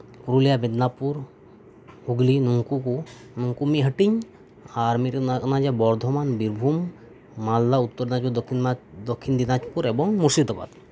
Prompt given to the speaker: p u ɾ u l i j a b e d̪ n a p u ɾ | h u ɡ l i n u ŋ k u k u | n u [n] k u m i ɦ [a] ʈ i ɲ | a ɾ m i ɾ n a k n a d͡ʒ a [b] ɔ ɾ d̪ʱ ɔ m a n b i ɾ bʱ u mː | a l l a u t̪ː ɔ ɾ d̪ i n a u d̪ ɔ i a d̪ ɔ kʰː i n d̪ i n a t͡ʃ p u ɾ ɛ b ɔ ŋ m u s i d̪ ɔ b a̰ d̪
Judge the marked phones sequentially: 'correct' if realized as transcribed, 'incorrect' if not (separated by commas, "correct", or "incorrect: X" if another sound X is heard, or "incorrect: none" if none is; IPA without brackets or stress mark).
incorrect: ŋ, incorrect: ə, correct